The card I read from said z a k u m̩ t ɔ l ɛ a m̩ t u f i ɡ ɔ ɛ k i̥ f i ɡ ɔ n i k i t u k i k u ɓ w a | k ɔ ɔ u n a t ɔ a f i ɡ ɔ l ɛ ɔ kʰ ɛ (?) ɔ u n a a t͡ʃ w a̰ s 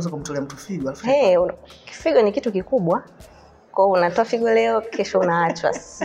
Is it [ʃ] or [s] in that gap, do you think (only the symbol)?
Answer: ʃ